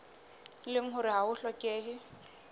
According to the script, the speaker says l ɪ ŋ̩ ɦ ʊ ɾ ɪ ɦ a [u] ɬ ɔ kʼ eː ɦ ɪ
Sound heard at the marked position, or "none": ʊ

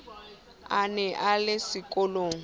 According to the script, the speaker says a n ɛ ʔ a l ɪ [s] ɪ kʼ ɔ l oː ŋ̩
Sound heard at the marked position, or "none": s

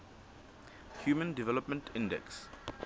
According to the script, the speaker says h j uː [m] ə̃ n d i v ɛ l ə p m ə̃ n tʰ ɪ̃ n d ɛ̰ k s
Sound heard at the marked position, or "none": m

